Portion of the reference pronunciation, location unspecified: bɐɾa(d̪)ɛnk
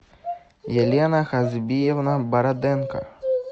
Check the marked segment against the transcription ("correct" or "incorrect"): correct